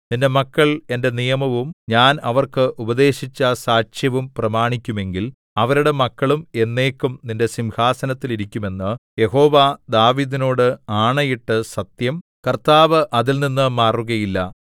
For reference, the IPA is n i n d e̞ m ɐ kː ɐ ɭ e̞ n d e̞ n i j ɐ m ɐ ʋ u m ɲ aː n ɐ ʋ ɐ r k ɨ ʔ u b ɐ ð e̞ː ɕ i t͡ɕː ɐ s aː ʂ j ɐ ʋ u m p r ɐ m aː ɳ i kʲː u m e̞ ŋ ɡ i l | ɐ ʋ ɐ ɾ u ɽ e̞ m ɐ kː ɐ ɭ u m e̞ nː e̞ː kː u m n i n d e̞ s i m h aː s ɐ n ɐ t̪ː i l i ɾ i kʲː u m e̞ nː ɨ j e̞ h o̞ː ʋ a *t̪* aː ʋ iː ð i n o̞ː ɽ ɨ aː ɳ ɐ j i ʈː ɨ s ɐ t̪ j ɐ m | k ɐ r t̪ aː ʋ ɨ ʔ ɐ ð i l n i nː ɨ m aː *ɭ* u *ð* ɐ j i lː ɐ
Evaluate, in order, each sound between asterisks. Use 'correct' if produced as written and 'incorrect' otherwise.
incorrect: d̪, incorrect: r, incorrect: ɣ

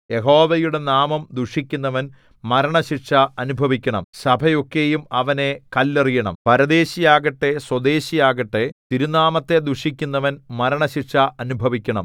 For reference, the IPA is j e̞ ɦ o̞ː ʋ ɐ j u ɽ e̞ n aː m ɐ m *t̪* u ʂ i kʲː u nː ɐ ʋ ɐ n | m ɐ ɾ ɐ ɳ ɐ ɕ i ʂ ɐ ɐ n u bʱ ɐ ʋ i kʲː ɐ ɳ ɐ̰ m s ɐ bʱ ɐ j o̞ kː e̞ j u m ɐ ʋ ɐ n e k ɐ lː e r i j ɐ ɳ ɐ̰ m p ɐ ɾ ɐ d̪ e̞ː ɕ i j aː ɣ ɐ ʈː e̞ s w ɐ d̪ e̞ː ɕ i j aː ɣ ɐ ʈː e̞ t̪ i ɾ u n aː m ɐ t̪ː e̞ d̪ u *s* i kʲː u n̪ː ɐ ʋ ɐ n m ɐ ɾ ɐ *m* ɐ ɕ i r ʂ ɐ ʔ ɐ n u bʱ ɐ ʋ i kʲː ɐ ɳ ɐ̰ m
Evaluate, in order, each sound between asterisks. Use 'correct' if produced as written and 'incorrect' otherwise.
incorrect: d̪, incorrect: ʂ, incorrect: ɳ

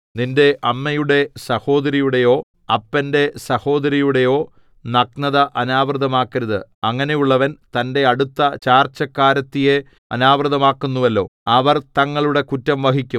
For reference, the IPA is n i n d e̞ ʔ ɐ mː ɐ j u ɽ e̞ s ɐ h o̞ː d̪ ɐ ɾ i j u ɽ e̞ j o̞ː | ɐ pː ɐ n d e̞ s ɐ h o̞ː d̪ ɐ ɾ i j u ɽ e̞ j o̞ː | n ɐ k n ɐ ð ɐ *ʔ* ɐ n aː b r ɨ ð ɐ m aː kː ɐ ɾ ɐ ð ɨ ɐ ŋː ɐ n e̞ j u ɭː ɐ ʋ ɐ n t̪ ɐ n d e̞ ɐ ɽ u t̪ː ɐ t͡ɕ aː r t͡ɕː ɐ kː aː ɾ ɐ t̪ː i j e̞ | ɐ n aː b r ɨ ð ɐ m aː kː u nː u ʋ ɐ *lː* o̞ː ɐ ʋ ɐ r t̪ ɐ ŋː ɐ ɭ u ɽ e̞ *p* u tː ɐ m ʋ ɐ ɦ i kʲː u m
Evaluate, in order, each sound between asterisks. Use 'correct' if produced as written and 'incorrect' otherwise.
correct, correct, incorrect: k

